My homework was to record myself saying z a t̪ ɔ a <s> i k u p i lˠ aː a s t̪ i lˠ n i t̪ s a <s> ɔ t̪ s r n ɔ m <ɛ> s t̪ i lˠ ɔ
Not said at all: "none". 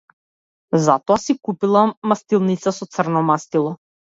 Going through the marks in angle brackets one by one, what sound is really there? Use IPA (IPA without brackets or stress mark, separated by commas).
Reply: s, s, a